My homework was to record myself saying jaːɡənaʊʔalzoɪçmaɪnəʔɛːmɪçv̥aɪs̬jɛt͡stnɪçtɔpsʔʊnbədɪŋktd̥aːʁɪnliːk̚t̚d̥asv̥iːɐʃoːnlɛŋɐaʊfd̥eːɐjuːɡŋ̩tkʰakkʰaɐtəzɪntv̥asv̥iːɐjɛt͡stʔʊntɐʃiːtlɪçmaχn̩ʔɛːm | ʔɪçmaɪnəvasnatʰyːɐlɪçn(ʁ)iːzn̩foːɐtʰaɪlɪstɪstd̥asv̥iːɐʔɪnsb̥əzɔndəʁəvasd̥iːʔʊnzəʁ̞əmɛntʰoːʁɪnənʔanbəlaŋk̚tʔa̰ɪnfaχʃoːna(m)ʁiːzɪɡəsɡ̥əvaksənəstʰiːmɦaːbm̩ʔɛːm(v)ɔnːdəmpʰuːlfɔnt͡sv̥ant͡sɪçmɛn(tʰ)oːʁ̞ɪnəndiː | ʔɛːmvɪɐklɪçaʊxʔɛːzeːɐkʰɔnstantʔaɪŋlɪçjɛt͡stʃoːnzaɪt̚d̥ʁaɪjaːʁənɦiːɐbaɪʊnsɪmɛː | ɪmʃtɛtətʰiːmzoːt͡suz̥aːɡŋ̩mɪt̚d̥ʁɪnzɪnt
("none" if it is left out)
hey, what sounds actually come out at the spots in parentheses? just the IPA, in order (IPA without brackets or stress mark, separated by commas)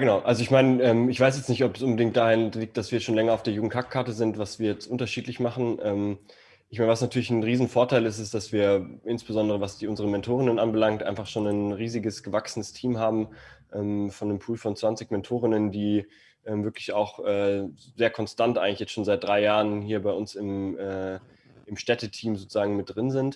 ʁ, n, f, tʰ